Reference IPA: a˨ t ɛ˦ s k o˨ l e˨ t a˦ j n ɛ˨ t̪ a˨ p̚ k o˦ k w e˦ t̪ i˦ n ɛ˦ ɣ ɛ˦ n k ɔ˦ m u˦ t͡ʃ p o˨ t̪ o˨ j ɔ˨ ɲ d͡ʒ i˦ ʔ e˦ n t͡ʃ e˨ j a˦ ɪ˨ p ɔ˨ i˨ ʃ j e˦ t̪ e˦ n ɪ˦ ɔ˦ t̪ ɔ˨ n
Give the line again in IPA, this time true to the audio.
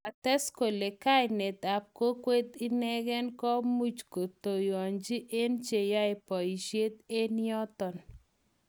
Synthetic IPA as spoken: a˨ t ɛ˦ s k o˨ l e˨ k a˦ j n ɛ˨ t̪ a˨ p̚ k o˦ k w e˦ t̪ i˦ n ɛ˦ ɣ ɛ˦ n k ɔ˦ m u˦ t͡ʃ k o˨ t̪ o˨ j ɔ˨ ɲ d͡ʒ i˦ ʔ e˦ n t͡ʃ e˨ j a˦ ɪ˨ p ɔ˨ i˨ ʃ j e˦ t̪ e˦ n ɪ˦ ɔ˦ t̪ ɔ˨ n